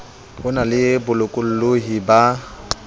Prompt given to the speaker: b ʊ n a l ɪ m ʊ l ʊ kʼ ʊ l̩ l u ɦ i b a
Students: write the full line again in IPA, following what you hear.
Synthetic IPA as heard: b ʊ n a l ɪ b ʊ l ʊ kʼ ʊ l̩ l o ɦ i b a

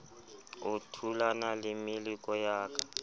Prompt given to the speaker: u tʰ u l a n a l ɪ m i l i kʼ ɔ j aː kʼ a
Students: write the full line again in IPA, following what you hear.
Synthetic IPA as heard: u tʰ u l a n a l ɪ m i l i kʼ ɔ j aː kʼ a

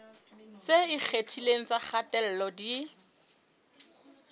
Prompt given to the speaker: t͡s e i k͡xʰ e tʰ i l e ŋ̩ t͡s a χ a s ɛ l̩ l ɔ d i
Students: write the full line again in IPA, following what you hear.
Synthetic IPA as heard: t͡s e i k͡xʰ e tʰ i l e ŋ̩ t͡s a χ a t ɛ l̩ l ɔ d i

